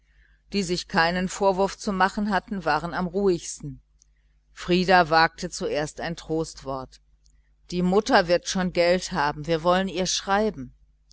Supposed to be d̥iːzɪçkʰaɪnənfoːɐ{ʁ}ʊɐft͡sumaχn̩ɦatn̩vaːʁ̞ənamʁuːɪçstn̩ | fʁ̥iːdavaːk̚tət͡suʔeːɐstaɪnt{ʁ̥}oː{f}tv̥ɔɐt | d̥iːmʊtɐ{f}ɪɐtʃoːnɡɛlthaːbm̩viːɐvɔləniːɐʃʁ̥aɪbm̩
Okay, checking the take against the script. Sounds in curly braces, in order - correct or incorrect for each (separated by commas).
incorrect, correct, incorrect, incorrect